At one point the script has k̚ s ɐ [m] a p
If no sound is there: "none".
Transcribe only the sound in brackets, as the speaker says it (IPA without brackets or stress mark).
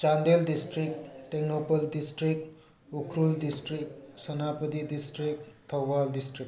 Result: n